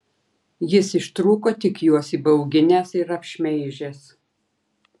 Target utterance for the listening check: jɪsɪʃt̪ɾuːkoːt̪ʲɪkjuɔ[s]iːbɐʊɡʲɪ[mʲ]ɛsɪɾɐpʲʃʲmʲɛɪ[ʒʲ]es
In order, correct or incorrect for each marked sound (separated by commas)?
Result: correct, incorrect, correct